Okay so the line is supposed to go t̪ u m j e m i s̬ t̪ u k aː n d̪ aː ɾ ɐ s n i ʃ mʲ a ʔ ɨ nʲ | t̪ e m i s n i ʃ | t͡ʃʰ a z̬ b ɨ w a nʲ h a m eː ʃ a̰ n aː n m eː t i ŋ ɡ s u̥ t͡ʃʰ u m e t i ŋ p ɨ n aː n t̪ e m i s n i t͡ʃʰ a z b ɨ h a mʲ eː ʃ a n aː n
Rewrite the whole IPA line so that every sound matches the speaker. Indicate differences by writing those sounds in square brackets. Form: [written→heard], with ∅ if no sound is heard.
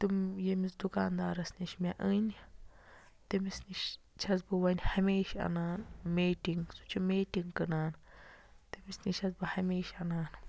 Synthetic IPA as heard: t̪ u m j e m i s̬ [t̪→d̪] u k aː n d̪ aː ɾ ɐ s n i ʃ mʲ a ʔ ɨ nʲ | t̪ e m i s n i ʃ | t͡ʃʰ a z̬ b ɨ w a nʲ h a m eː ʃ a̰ n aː n m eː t i ŋ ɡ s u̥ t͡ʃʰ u m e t i ŋ [p→k] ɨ n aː n t̪ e m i s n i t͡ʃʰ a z b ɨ h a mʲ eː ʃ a n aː n